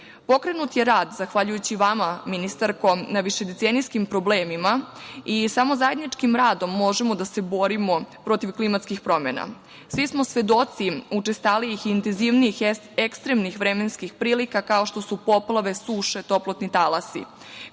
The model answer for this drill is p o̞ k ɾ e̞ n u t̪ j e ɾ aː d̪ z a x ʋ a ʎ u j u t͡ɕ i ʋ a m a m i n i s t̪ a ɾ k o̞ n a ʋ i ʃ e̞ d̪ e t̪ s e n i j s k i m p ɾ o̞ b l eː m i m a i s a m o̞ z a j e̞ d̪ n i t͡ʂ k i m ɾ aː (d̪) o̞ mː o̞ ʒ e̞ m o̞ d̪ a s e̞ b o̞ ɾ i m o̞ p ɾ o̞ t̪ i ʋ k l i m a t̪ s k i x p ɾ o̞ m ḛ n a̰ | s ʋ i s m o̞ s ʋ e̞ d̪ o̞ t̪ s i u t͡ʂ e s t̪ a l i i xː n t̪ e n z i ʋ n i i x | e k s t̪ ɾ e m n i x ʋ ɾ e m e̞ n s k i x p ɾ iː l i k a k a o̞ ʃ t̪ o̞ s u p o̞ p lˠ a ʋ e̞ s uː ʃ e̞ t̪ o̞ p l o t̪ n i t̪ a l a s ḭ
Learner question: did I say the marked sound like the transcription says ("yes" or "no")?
yes